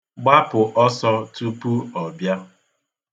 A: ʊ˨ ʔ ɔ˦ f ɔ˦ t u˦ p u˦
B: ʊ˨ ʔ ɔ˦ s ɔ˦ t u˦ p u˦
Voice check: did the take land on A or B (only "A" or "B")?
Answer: B